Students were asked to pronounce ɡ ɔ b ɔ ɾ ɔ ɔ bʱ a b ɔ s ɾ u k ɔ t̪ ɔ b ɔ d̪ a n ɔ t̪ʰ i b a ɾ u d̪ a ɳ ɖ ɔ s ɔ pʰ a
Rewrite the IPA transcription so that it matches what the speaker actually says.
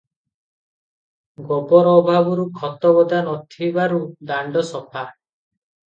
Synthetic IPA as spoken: ɡ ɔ b ɔ ɾ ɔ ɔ bʱ a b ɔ ɾ u kʰ ɔ t̪ ɔ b ɔ d̪ a n ɔ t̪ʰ i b a ɾ u d̪ a ɳ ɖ ɔ s ɔ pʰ a

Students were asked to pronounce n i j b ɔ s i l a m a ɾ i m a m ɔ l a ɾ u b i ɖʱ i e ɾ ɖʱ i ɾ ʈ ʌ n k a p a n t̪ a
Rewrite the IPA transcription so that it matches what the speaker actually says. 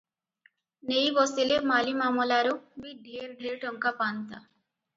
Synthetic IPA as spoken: n e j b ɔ s i l e m a l i m a m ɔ l a ɾ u b i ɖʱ i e ɾ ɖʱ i ɾ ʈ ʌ ŋ k a p a n t̪ a

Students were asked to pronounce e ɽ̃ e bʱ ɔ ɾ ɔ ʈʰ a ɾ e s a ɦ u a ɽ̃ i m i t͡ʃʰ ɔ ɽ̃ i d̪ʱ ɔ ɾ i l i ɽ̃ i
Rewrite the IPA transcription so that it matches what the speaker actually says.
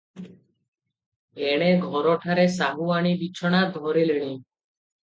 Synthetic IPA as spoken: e ɽ̃ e ɡʱ ɔ ɾ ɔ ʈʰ a ɾ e s a ɦ u a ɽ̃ i b i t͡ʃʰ ɔ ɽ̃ a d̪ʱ ɔ ɾ i l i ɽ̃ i

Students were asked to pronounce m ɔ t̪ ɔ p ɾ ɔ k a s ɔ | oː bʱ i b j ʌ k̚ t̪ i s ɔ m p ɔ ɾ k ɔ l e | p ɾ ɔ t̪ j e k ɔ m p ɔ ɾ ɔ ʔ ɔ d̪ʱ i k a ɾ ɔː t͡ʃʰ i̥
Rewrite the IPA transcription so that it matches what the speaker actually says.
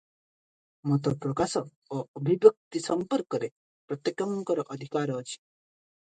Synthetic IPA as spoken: m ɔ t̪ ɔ p ɾ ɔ k a s ɔ | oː bʱ i b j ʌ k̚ t̪ i s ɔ m p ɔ ɾ k ɔ ɾ e | p ɾ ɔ t̪ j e k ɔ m k ɔ ɾ ɔ ʔ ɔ d̪ʱ i k a ɾ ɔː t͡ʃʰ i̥

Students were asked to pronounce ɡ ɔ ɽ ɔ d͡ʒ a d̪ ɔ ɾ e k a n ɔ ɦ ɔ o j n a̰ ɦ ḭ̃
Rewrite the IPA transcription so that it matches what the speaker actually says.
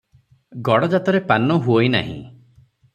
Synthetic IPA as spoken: ɡ ɔ ɽ ɔ d͡ʒ a t̪ ɔ ɾ e p a n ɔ ɦ u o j n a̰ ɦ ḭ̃

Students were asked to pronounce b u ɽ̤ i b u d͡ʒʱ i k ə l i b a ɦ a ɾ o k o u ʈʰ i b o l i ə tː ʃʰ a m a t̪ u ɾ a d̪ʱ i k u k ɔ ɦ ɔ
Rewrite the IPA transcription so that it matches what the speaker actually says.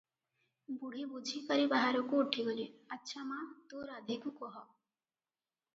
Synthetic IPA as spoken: b u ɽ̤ i b u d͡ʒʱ i k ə ɾ i b a ɦ a ɾ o k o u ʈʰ i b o l i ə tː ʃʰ a m a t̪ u ɾ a d̪ʱ i k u k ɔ ɦ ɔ

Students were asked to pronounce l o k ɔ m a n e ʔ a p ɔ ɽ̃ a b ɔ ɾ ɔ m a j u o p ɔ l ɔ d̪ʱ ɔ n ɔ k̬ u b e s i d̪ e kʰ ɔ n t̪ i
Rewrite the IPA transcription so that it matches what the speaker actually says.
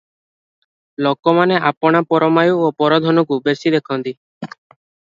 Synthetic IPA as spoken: l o k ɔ m a n e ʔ a p ɔ ɽ̃ a p ɔ ɾ ɔ m a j u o p ɔ ɾ ɔ d̪ʱ ɔ n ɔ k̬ u b e s i d̪ e kʰ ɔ n t̪ i

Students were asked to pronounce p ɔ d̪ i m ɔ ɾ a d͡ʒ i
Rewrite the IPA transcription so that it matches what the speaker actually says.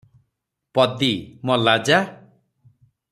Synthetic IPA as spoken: p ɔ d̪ i m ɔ l a d͡ʒ a

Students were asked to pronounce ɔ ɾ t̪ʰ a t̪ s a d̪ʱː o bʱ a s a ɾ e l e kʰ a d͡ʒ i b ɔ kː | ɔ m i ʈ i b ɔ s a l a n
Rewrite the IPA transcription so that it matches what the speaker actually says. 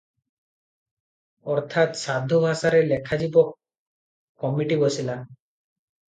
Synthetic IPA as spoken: ɔ ɾ t̪ʰ a t̪ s a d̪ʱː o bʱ a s a ɾ e l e kʰ a d͡ʒ i b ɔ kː | ɔ m i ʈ i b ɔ s i l a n

